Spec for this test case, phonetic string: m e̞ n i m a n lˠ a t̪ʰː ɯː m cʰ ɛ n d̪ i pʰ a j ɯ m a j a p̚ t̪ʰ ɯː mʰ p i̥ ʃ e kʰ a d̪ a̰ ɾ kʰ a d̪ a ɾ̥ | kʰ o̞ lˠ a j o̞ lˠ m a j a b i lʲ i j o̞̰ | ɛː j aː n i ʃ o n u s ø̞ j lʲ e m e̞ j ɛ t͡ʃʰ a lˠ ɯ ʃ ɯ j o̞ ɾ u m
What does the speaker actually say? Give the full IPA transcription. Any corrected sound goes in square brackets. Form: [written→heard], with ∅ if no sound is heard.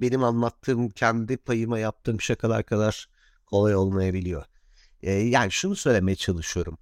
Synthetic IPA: [m→b] e̞ n i m a n lˠ a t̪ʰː ɯː m cʰ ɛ n d̪ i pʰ a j ɯ m a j a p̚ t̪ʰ ɯː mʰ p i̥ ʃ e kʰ a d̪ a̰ ɾ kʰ a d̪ a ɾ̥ | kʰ o̞ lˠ a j o̞ lˠ m a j a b i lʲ i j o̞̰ | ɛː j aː n i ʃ [o→u] n u s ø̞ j lʲ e m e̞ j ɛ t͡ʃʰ a lˠ ɯ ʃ ɯ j o̞ ɾ u m